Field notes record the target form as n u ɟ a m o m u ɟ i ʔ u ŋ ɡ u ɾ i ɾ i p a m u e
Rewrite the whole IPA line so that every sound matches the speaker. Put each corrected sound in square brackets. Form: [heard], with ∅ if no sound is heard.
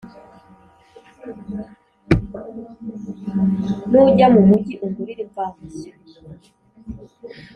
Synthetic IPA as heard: n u ɟ a m [u] m u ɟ i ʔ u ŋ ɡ u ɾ i ɾ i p a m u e